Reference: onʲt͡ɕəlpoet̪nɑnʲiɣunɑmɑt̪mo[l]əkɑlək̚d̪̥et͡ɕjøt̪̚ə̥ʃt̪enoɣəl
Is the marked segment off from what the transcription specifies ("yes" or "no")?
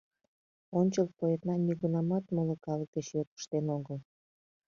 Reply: no